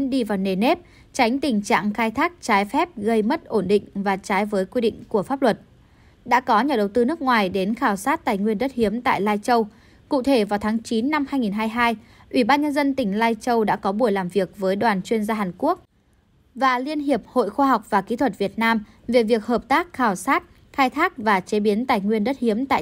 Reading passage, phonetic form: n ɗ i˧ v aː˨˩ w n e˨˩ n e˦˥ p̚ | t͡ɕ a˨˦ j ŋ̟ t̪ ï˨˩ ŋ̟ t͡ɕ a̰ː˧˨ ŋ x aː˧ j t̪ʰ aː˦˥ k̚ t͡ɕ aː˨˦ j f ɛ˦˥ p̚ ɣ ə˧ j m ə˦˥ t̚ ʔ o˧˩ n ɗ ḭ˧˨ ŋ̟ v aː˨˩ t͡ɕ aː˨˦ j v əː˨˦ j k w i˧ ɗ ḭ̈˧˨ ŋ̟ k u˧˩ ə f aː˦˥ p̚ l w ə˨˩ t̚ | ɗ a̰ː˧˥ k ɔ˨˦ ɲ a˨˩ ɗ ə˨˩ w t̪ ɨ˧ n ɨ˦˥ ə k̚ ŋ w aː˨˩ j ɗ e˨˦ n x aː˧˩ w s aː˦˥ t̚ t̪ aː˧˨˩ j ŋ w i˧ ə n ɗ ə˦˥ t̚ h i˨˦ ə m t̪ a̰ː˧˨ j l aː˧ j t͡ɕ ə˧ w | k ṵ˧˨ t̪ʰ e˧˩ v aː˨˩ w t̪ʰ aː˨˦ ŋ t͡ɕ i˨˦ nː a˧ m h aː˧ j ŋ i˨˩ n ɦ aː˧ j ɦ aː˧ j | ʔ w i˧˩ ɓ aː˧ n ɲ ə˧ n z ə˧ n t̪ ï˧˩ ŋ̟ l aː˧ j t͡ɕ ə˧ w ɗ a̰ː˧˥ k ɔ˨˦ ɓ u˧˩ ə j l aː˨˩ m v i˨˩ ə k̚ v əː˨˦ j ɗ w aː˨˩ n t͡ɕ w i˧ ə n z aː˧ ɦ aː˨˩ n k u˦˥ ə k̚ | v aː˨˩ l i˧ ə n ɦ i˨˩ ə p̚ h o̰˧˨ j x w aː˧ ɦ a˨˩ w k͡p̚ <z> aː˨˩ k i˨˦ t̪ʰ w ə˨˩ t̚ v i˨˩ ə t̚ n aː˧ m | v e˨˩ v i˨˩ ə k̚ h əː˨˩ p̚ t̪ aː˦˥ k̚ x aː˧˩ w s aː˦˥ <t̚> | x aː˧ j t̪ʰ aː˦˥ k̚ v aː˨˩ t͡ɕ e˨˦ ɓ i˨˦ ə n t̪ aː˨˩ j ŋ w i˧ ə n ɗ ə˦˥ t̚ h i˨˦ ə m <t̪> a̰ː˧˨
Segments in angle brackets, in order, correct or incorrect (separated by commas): incorrect, correct, correct